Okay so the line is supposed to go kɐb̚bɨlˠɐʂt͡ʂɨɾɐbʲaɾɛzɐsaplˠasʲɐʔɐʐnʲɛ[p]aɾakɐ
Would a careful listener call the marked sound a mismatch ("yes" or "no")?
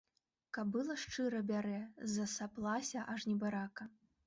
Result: yes